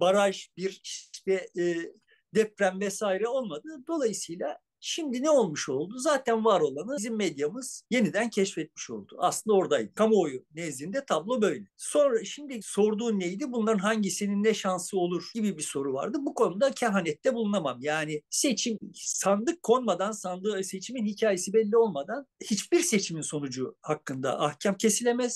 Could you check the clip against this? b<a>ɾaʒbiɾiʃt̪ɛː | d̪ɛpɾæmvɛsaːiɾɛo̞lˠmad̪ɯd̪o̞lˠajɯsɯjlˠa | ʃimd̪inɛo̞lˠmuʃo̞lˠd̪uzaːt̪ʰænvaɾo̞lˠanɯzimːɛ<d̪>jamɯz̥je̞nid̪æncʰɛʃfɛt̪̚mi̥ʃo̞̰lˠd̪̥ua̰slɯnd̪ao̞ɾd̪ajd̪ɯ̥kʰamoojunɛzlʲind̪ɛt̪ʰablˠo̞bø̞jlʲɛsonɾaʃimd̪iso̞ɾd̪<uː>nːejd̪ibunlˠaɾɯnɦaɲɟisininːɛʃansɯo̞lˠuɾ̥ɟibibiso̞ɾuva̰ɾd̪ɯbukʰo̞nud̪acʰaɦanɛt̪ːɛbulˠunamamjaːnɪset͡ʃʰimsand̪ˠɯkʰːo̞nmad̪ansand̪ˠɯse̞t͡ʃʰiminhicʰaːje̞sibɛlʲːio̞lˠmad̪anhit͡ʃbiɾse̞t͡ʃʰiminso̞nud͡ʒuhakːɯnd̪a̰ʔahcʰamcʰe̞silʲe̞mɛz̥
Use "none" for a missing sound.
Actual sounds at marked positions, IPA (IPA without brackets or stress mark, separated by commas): a, d̪, uː